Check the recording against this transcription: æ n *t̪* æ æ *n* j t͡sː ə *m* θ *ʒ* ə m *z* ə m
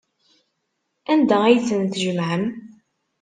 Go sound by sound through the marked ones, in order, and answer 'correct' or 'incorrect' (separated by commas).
incorrect, incorrect, incorrect, correct, incorrect